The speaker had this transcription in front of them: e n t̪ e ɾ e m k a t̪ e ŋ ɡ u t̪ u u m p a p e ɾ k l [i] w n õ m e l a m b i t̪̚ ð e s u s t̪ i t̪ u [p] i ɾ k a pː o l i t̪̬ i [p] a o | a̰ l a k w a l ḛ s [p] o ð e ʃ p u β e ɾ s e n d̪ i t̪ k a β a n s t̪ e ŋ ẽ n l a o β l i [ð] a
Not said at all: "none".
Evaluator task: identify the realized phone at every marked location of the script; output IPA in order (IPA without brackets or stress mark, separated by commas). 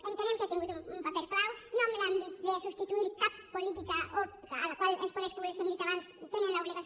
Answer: a, none, k, p, ɣ